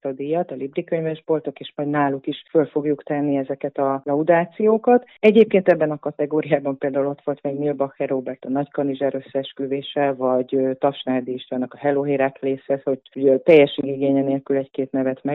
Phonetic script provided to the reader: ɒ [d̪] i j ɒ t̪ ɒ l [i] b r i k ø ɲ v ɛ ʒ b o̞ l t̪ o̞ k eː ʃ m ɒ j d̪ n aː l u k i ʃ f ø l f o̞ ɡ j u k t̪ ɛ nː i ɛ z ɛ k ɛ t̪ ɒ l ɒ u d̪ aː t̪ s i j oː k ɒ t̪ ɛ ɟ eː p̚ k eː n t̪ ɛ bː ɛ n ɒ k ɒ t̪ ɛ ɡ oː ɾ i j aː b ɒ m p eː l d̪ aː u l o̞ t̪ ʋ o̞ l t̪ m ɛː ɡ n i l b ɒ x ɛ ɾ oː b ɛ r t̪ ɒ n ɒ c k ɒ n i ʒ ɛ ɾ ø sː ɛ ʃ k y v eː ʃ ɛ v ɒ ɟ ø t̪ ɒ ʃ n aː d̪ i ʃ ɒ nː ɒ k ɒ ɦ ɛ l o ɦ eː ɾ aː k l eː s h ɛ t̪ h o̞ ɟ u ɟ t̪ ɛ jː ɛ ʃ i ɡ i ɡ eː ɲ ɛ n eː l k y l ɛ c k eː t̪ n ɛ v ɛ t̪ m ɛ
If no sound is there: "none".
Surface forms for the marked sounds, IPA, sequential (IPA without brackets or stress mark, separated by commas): d̪, i